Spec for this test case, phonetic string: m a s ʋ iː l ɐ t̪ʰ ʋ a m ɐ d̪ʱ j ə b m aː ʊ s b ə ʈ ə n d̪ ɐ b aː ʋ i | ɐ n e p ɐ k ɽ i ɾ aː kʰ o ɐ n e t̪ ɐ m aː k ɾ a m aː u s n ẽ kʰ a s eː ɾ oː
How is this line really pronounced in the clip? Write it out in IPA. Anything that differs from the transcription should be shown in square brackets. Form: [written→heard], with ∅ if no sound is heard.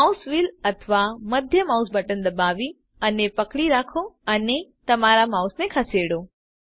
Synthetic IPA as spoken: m a s ʋ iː l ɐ t̪ʰ ʋ a m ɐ d̪ʱ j ə [b→∅] m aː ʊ s b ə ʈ ə n d̪ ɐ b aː ʋ i | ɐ n e p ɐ k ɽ i ɾ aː kʰ o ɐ n e t̪ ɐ m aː [k→∅] ɾ a m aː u s n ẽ kʰ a s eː [ɾ→ɽ] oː